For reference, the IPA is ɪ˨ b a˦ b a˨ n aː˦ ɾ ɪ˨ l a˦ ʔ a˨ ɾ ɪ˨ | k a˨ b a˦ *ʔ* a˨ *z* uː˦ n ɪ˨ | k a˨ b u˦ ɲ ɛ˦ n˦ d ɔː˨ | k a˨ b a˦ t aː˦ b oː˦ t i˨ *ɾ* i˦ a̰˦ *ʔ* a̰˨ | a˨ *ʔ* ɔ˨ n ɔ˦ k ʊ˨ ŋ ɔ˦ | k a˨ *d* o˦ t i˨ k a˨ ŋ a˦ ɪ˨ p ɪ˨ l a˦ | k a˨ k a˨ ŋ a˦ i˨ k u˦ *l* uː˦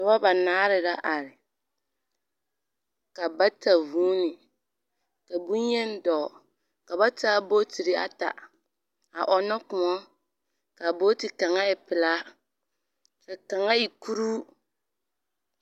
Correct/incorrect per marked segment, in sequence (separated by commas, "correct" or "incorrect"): incorrect, incorrect, correct, incorrect, correct, incorrect, incorrect